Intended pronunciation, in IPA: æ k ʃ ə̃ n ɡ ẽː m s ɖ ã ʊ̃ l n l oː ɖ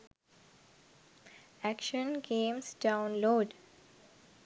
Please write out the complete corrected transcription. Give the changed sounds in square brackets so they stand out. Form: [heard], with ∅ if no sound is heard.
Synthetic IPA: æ k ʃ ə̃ n ɡ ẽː m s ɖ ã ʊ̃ [∅] n l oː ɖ